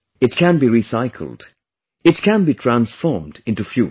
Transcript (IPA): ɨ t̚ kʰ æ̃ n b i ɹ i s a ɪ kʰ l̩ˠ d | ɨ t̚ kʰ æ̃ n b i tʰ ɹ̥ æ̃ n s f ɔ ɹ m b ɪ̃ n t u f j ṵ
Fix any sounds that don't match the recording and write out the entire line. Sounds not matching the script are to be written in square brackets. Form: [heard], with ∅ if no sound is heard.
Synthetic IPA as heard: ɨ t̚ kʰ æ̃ n b i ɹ i s a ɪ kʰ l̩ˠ d | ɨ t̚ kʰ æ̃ n b i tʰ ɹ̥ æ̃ n s f ɔ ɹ m [d] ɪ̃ n t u f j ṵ